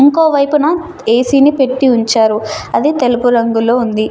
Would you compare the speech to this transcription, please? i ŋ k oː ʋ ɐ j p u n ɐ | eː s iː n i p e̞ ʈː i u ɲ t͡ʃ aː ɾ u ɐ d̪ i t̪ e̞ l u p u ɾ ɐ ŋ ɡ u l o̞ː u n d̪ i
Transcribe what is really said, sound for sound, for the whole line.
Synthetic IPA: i ŋ k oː ʋ ɐ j p u n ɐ | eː s iː n i p e̞ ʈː i u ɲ t͡ʃ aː ɾ u ɐ d̪ i t̪ e̞ l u p u ɾ ɐ ŋ ɡ u l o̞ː u n d̪ i